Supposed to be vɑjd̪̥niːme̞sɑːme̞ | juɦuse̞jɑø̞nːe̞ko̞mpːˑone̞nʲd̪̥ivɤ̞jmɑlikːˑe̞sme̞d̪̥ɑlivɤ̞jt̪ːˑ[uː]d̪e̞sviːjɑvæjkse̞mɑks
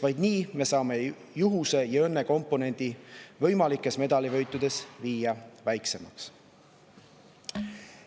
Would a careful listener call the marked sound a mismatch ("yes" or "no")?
yes